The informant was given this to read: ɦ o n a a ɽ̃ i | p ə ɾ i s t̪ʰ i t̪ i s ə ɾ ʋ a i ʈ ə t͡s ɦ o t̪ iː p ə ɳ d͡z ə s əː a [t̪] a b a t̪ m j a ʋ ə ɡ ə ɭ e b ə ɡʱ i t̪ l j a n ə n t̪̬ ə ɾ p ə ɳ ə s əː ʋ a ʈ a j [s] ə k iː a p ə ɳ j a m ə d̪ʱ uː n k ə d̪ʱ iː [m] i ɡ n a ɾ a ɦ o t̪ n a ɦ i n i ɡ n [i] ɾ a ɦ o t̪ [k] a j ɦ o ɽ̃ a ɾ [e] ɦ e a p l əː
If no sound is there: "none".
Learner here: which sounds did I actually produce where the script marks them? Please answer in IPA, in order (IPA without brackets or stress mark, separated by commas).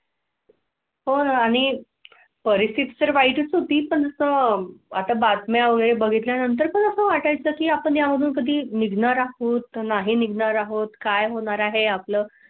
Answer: t̪, t͡s, n, a, k, a